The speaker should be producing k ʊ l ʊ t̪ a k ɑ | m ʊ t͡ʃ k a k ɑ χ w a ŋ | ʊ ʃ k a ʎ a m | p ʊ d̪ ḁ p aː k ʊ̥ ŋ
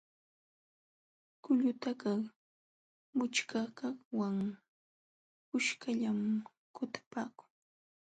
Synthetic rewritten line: k ʊ ʎ ʊ t̪ a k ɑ | m ʊ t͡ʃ k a k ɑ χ w a ŋ | ʊ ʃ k a ʎ a m | k ʊ t̪ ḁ p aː k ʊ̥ ŋ